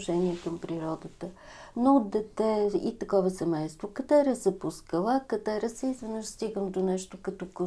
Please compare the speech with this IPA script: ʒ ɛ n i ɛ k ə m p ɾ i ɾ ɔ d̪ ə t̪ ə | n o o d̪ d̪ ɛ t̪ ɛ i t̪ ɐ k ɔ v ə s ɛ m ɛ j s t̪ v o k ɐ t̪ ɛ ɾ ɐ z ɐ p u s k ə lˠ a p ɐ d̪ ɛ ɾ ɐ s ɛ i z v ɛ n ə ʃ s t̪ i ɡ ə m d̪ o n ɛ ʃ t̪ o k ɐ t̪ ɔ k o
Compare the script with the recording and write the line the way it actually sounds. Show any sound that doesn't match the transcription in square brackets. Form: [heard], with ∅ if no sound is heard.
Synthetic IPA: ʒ ɛ n i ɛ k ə m p ɾ i ɾ ɔ d̪ ə t̪ ə | n o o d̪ d̪ ɛ t̪ ɛ i t̪ ɐ k ɔ v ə s ɛ m ɛ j s t̪ v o k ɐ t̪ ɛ ɾ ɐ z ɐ p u s k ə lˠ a [k] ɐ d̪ ɛ ɾ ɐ s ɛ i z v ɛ n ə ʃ s t̪ i ɡ ə m d̪ o n ɛ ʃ t̪ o k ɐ t̪ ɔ k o